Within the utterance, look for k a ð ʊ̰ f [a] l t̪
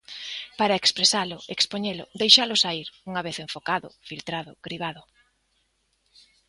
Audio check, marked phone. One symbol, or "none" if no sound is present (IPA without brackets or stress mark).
i